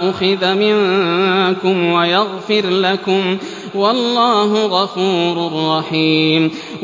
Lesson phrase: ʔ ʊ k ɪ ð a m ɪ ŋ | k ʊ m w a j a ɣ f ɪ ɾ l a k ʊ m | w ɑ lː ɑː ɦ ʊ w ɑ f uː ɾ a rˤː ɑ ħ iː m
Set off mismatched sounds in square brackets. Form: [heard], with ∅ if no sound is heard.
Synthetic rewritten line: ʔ ʊ [x] ɪ ð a m ɪ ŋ | k ʊ m w a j a ɣ f ɪ ɾ l a k ʊ m | w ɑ lː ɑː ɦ ʊ [ɣ] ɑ f uː ɾ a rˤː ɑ ħ iː m